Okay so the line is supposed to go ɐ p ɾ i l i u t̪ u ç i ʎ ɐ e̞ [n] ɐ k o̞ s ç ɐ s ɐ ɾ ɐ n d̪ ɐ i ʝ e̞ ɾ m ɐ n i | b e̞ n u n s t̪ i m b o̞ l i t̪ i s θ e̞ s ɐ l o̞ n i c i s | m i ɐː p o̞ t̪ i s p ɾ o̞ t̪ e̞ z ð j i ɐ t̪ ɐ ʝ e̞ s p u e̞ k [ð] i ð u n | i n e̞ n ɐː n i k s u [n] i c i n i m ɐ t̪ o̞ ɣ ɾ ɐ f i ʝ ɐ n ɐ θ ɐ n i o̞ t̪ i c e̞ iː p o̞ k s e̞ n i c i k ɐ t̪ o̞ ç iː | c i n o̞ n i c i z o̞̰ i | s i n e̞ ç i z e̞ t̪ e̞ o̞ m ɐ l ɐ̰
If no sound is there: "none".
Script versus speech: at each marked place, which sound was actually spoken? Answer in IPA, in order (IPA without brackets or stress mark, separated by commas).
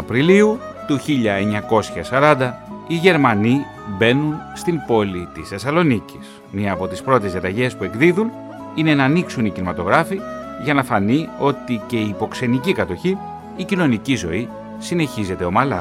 ɲ, ð, n